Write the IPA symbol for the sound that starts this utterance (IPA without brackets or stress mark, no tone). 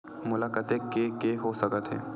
m